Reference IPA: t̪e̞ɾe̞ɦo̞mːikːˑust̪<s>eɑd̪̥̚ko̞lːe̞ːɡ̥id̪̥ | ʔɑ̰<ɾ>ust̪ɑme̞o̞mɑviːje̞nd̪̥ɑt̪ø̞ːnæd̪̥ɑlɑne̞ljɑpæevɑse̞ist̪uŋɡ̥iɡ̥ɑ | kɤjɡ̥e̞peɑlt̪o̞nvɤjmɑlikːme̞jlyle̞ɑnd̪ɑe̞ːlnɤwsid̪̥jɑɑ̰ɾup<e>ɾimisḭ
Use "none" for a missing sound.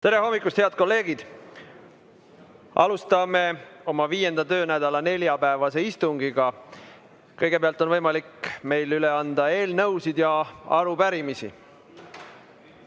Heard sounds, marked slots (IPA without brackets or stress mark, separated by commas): h, l, æ